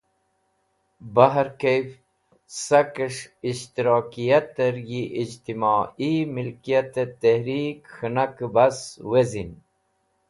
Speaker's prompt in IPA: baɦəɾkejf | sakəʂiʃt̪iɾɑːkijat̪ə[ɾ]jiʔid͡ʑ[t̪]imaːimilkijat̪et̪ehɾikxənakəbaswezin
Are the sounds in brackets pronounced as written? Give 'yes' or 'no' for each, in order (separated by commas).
yes, yes